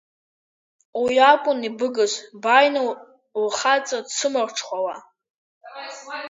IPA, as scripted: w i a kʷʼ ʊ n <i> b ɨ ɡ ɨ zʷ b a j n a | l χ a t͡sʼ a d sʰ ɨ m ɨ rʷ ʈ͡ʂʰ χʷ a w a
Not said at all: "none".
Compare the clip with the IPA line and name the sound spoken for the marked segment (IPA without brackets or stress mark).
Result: i